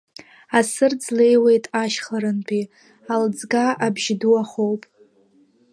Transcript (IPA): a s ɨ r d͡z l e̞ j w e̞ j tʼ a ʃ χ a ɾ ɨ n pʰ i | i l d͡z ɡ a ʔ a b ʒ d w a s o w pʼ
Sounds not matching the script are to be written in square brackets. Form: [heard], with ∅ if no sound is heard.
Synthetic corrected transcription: a s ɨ r d͡z l e̞ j w e̞ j tʼ a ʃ χ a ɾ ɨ n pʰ i | [a] l d͡z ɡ a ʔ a b ʒ d [u] a [χ] o w pʼ